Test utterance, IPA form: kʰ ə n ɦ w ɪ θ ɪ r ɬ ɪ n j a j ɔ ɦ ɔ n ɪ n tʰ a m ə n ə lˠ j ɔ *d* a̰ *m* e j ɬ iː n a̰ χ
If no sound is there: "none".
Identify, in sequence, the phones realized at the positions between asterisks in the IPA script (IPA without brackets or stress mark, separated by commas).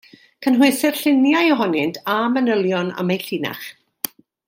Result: n, m